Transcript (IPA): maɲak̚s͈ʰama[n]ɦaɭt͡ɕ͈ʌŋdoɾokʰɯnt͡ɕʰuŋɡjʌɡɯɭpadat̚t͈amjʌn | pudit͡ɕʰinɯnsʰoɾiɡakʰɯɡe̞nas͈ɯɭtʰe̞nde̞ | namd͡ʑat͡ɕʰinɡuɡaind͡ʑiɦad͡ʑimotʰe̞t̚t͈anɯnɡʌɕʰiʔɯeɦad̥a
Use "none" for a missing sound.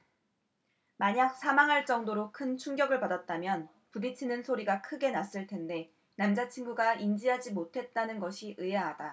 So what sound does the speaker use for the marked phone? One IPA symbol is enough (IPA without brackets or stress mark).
ŋ